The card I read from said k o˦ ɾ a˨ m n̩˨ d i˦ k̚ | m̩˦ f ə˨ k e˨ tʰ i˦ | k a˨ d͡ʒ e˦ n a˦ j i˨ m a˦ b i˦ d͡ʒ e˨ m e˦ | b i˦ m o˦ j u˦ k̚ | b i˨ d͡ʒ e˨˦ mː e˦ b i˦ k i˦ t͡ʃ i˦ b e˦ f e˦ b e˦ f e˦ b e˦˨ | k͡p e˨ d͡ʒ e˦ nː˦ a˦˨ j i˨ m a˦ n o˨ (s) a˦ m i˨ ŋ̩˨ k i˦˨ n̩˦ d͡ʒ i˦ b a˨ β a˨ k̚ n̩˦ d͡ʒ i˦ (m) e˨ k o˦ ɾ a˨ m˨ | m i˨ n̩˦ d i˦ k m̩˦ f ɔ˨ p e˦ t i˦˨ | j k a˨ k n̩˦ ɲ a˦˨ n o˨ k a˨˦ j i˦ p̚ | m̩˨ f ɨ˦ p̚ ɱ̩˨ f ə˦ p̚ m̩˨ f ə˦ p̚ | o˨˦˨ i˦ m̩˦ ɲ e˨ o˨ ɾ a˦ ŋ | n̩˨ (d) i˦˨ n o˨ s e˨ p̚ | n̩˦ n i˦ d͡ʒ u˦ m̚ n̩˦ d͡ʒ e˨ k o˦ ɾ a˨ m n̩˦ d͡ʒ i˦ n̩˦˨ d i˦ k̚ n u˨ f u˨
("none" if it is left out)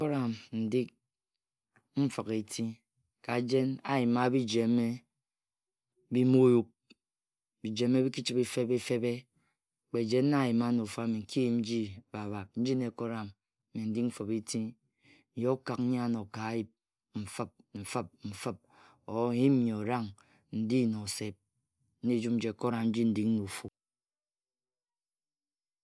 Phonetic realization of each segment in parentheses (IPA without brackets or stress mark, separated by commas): f, n, d